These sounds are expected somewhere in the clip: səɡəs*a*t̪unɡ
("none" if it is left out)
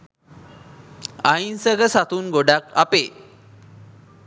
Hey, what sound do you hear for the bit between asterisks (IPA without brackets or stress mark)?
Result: a